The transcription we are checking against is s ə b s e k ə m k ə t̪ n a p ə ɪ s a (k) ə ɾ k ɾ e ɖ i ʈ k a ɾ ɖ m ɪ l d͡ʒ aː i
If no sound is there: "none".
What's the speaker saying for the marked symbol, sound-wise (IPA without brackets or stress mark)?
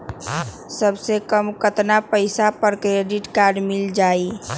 p